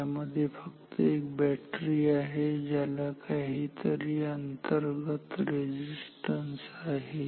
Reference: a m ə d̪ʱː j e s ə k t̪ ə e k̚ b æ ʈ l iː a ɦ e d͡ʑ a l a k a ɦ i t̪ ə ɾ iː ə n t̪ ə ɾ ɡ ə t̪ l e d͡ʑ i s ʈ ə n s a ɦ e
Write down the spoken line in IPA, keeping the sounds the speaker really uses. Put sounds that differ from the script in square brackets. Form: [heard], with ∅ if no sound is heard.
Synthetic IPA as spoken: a m ə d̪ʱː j e [f] ə k t̪ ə e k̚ b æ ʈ [ɾ] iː a ɦ e d͡ʑ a l a k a ɦ i t̪ ə ɾ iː ə n t̪ ə ɾ ɡ ə t̪ [ɾ] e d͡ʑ i s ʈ ə n s a ɦ e